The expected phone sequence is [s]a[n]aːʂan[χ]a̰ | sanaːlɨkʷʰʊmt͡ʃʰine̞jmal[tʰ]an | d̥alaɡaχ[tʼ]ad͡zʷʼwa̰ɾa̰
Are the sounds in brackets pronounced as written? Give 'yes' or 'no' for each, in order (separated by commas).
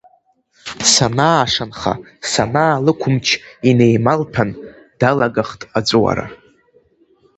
yes, yes, yes, no, yes